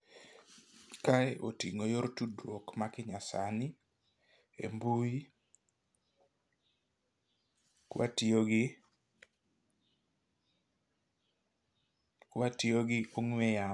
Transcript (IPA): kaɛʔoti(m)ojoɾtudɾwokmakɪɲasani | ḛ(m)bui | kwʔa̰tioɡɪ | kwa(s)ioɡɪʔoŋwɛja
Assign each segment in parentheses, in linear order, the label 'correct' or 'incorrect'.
incorrect: ŋ, correct, incorrect: t

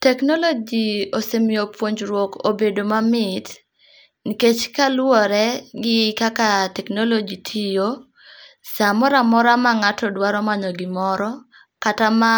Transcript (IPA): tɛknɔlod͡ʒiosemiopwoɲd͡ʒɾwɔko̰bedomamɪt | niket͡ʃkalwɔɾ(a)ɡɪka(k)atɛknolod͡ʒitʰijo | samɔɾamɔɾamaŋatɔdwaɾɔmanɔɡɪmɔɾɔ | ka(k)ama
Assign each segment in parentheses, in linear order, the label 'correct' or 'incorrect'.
incorrect: ɛ, correct, incorrect: t

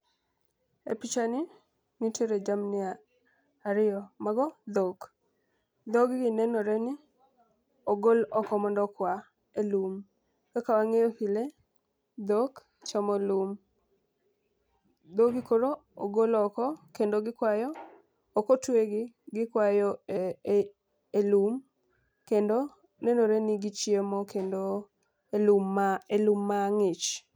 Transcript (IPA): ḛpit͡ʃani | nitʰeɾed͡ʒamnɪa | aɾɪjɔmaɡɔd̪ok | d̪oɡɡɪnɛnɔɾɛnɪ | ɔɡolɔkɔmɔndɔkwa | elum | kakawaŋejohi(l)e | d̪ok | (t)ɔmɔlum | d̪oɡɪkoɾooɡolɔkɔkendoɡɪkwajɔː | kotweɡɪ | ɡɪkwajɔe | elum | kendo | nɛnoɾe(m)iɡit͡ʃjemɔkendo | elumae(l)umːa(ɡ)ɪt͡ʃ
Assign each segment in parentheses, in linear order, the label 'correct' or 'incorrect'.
correct, incorrect: t͡ʃ, incorrect: n, correct, incorrect: ŋ

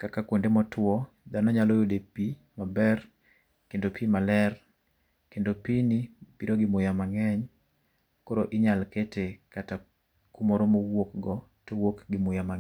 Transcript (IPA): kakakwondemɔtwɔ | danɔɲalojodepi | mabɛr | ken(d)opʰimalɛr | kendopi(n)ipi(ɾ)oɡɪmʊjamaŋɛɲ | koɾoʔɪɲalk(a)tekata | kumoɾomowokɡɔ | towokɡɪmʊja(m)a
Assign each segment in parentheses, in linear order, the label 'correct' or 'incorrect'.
correct, correct, correct, incorrect: e, correct

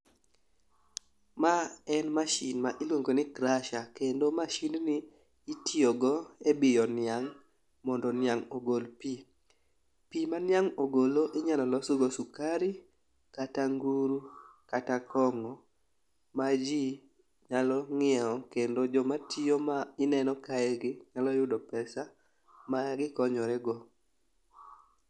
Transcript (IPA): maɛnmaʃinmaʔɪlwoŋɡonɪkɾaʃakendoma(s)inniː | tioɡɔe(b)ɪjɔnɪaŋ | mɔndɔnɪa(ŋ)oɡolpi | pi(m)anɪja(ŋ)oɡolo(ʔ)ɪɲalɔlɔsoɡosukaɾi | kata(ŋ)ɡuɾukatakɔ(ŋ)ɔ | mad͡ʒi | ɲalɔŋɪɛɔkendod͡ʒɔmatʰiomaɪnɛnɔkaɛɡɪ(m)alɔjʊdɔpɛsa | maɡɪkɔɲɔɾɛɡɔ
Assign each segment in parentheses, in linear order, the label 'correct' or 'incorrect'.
incorrect: ʃ, correct, correct, correct, correct, correct, correct, correct, incorrect: ɲ

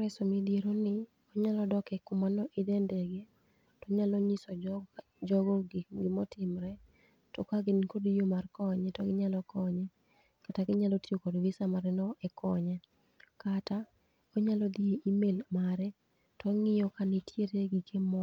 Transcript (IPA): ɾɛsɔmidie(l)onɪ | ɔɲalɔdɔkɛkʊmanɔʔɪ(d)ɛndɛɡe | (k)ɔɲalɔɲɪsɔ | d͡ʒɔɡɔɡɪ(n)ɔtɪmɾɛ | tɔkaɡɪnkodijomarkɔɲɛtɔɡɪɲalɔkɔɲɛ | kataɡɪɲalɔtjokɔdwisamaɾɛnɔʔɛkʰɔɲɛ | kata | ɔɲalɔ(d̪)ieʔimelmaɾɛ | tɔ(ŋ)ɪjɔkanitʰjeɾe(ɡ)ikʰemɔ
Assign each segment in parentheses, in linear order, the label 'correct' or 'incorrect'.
incorrect: ɾ, correct, incorrect: t, incorrect: m, correct, correct, correct

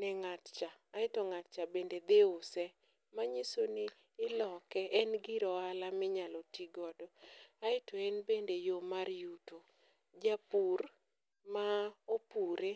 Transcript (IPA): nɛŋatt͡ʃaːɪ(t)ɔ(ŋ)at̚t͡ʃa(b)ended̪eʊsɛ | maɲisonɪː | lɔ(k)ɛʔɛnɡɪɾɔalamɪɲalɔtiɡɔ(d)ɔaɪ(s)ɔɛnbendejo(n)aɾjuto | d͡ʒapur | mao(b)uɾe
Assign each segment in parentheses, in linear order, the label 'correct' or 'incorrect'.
correct, correct, correct, correct, correct, incorrect: t, incorrect: m, incorrect: p

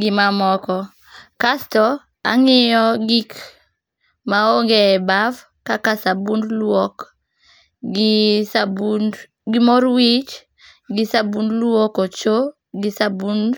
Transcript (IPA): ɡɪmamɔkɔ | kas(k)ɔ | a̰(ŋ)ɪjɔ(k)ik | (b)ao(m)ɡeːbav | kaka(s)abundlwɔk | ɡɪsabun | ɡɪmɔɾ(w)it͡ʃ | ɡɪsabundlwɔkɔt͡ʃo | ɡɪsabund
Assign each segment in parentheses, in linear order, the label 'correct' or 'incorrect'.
incorrect: t, correct, incorrect: ɡ, incorrect: m, incorrect: ŋ, correct, correct

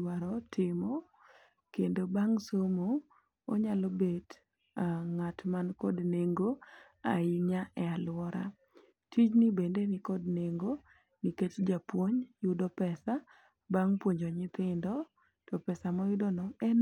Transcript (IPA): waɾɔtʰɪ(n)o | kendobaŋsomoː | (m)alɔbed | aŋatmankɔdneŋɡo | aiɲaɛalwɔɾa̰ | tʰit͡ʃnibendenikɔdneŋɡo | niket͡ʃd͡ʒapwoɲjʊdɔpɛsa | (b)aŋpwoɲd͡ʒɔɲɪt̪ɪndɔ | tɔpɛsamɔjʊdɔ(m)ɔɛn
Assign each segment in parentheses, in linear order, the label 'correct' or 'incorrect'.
incorrect: m, incorrect: ɲ, correct, incorrect: n

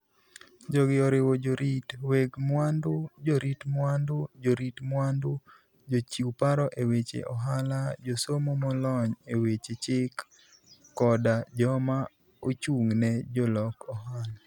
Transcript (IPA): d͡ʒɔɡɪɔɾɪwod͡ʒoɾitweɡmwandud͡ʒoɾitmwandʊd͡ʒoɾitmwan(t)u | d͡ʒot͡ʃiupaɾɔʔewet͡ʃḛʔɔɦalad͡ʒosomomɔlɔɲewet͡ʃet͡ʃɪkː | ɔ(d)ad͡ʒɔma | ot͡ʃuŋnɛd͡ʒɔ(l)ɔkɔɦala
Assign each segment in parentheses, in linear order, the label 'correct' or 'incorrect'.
incorrect: d, correct, correct

